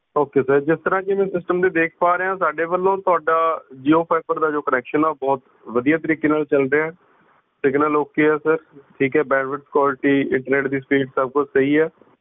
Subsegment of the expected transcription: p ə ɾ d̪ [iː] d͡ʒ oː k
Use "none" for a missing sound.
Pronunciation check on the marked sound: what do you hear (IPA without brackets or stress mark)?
aː